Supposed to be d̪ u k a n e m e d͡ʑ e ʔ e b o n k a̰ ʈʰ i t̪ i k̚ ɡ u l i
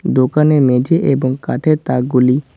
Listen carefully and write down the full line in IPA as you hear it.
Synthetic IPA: d̪ o k a n e m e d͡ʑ e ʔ e b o ŋ k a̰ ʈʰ e t̪ a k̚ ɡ u l i

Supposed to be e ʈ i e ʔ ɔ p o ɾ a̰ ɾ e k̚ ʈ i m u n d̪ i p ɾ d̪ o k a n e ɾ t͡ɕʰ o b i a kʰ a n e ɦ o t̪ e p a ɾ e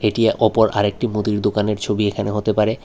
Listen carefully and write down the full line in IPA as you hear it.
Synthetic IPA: e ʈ i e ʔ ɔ p o ɾ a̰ ɾ e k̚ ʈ i m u d̪ i ɾ d̪ o k a n e ɾ t͡ɕʰ o b i e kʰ a n e ɦ o t̪ e p a ɾ e

